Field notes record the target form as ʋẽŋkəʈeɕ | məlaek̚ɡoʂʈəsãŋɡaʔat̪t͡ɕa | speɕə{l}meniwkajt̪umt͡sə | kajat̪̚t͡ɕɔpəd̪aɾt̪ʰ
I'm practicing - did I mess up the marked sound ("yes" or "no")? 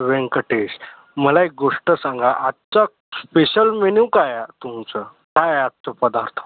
no